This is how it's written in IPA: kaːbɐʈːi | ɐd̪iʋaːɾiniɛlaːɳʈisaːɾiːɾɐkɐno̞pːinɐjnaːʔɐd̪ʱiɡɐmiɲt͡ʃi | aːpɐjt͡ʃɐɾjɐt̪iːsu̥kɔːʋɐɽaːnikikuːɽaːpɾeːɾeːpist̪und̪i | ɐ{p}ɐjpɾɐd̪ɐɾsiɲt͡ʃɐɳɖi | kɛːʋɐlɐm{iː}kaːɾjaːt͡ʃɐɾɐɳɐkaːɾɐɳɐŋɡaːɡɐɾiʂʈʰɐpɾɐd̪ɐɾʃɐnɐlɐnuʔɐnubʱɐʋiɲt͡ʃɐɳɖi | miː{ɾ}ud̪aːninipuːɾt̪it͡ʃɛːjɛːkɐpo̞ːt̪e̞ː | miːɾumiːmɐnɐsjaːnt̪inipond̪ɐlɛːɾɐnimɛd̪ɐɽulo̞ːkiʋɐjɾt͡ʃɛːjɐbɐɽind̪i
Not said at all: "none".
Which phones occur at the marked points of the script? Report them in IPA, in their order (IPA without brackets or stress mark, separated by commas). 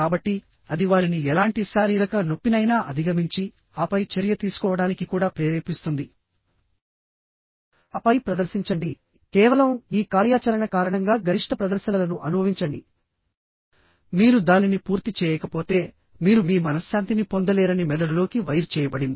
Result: p, iː, ɾ